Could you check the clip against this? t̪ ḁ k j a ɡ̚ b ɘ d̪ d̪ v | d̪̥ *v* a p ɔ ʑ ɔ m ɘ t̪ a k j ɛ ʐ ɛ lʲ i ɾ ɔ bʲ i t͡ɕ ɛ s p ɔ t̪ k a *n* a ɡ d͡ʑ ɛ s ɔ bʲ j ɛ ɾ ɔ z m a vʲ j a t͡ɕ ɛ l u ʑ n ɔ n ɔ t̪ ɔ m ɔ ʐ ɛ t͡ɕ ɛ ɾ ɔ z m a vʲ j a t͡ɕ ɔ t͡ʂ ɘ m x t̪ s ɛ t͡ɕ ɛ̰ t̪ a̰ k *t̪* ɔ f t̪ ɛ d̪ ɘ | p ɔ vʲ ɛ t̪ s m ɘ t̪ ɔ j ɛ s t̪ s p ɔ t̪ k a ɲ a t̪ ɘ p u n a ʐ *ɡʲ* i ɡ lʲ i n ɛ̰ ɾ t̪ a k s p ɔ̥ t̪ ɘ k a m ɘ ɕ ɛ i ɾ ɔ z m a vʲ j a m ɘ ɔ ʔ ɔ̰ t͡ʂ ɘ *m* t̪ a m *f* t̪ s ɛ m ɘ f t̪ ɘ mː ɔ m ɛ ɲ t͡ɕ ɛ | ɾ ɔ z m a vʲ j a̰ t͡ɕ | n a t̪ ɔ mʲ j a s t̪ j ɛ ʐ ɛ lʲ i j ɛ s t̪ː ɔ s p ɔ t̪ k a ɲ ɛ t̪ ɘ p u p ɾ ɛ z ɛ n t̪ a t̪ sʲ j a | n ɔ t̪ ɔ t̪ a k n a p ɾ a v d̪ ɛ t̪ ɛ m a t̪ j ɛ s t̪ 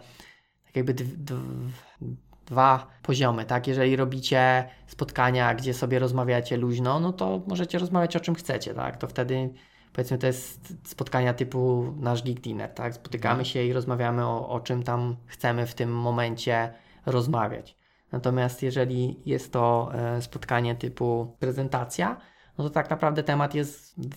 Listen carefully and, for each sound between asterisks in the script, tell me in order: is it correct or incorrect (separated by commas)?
correct, incorrect, correct, correct, correct, incorrect